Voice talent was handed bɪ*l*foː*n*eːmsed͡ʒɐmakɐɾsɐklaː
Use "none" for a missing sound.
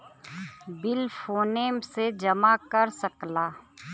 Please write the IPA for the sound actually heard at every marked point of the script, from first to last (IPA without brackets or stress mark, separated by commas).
l, n